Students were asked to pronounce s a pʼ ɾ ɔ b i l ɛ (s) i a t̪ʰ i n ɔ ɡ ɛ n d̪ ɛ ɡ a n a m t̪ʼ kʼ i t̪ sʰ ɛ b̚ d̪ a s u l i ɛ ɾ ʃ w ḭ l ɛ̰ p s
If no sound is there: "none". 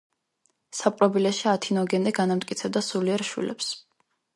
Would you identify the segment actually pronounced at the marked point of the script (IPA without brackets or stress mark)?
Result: ʃ